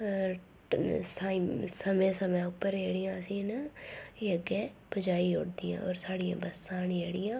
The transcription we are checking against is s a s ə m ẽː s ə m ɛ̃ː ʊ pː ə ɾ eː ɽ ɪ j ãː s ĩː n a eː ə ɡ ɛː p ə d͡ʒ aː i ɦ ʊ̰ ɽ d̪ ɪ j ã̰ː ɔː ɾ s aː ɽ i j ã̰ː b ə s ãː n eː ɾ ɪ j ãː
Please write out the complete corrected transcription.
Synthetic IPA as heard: s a s ə m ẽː s ə m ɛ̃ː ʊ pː ə ɾ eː ɽ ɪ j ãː s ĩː n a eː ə ɡ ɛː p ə d͡ʒ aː i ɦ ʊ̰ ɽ d̪ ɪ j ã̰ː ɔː ɾ s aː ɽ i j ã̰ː b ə s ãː n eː ɽ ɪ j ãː